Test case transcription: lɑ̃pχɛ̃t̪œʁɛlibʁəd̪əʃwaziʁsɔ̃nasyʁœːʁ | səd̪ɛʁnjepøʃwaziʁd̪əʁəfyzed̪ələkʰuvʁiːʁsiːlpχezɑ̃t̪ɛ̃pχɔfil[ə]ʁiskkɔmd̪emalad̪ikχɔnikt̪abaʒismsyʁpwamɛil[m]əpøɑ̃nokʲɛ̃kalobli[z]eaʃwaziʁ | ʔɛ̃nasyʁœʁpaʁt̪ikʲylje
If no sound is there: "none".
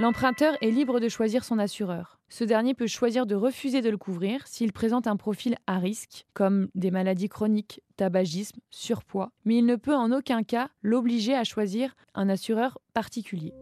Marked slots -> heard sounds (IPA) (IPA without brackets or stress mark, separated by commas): a, n, ʒ